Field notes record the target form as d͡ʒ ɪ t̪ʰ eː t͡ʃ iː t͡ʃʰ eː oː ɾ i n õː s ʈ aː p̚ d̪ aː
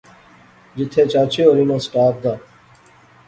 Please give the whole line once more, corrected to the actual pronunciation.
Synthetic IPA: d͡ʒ ɪ t̪ʰ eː t͡ʃ aː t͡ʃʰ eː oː ɾ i n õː s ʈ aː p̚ d̪ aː